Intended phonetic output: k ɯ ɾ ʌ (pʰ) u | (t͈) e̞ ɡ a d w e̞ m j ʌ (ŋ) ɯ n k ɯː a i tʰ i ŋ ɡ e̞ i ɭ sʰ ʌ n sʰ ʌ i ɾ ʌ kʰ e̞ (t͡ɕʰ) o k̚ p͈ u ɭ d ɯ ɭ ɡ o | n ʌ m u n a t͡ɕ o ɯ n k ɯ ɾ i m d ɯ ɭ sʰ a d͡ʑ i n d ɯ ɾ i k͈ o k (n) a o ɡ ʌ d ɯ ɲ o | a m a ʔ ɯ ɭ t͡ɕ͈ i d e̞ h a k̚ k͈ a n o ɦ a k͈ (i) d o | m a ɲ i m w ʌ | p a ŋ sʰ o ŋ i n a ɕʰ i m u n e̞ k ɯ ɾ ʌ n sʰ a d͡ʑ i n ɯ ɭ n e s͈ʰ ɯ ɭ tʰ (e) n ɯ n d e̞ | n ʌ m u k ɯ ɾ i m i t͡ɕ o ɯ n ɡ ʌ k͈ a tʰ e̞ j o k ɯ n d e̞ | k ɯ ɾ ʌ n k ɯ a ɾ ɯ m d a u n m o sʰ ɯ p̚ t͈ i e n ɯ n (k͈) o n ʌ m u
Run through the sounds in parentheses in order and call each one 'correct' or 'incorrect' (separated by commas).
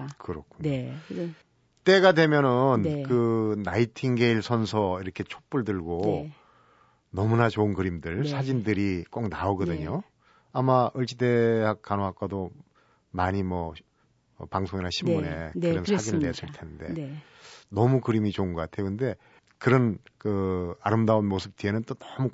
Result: incorrect, correct, incorrect, correct, correct, incorrect, correct, incorrect